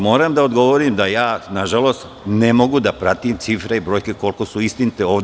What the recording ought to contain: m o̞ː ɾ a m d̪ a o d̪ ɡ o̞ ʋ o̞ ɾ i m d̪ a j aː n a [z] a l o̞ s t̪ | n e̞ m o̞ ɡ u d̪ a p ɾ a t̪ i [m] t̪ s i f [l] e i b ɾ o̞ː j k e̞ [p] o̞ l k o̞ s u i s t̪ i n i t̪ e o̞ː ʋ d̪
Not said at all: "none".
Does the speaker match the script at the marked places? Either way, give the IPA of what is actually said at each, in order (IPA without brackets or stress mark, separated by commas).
ʒ, m, ɾ, k